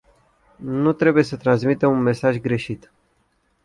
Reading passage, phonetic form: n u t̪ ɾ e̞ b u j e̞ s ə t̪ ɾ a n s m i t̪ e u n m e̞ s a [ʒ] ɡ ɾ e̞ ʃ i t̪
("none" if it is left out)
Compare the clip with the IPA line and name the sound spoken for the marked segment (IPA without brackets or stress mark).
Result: ʒ